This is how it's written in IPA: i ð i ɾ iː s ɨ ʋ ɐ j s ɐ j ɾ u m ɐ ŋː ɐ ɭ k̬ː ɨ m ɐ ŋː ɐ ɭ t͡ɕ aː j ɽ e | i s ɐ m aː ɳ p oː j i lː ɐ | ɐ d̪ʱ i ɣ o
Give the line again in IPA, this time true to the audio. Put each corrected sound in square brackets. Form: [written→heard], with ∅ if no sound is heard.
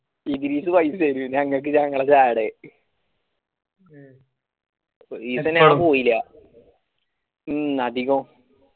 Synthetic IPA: i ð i ɾ iː s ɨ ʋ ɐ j s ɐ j ɾ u [m→ɲ] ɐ ŋː ɐ ɭ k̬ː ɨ [m→ɲ] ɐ ŋː ɐ ɭ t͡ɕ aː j ɽ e | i s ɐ [m→n] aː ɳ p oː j i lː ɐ | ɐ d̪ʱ i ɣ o